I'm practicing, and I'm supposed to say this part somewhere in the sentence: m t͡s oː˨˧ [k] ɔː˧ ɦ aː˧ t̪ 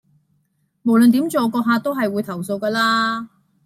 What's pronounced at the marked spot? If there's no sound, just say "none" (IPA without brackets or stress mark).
k